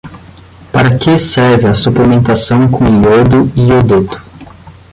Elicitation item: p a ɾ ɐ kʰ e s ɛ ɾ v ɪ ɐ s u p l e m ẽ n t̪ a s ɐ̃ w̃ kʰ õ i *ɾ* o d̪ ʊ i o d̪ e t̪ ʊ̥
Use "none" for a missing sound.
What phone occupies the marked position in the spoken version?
none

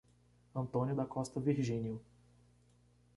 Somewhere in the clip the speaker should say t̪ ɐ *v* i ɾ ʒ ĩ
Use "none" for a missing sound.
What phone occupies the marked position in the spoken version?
v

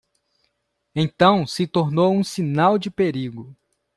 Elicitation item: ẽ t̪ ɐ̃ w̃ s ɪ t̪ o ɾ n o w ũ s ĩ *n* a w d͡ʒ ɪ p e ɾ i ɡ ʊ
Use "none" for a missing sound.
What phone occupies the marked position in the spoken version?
n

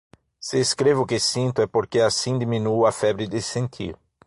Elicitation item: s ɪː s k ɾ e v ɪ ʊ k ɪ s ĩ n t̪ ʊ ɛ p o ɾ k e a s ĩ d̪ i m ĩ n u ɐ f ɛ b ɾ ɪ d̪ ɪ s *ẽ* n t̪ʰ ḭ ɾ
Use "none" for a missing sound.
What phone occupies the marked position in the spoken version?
ẽ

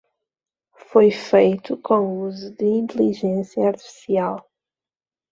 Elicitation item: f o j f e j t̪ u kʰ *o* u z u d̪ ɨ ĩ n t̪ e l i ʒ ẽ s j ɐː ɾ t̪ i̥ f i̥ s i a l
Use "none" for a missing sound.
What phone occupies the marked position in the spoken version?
õ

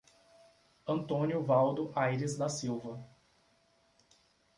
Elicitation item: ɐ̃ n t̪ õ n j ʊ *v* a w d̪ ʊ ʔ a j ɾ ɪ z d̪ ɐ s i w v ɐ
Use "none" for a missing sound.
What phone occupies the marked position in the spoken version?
v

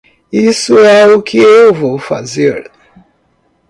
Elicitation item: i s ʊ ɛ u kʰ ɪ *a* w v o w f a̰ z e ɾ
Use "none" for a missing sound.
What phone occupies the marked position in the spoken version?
e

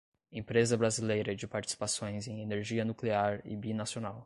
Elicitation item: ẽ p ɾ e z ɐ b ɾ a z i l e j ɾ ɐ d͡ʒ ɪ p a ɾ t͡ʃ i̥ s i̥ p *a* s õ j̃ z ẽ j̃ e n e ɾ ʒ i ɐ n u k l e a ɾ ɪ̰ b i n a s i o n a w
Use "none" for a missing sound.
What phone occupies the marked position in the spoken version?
a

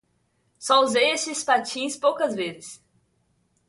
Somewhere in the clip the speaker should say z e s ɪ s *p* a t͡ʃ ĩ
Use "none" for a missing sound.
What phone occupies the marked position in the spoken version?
p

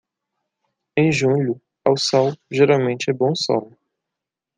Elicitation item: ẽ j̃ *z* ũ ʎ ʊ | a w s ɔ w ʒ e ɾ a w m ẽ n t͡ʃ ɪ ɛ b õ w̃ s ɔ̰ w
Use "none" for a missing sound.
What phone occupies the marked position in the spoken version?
ʒ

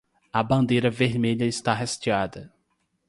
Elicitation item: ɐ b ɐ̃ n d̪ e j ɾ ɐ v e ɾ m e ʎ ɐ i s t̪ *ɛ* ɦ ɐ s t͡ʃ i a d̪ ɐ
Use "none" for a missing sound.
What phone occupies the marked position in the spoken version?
a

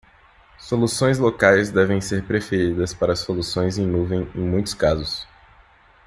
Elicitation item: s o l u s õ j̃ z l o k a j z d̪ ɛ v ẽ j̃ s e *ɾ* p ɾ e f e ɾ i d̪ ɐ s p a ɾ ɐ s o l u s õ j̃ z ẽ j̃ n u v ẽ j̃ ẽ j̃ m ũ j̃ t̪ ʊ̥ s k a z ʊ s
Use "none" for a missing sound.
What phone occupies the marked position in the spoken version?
ɾ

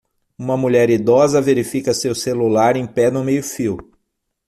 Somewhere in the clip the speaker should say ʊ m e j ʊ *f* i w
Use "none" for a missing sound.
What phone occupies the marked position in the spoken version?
f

